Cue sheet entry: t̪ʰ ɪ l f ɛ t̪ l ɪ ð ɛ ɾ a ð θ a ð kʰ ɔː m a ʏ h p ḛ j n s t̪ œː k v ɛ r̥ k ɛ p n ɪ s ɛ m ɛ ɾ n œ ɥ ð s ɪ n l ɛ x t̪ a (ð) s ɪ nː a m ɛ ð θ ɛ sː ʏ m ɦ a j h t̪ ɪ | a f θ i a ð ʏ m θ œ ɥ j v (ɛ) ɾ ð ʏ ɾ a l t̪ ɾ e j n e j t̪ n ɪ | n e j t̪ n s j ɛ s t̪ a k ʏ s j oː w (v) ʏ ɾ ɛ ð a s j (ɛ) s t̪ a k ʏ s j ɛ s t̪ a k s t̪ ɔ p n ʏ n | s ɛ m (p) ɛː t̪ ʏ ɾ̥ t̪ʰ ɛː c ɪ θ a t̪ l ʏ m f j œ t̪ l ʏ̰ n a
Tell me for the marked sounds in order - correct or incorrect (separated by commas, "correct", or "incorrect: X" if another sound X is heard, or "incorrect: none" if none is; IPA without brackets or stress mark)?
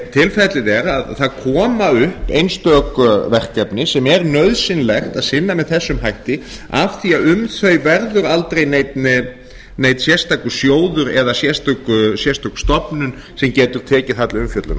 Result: correct, correct, incorrect: ð, correct, incorrect: c